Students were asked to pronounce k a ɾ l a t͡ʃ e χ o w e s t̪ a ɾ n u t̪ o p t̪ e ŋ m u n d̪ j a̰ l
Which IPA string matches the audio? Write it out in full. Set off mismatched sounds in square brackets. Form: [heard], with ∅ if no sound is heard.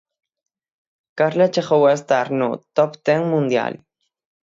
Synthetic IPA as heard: k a ɾ l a t͡ʃ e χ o w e s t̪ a ɾ n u t̪ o p t̪ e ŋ m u n d̪ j a̰ l